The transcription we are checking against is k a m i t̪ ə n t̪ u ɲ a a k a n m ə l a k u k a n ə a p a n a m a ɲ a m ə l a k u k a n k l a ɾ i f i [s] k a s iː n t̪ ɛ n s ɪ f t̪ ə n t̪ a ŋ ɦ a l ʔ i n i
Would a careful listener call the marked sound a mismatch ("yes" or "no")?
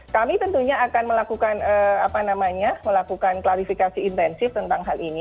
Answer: yes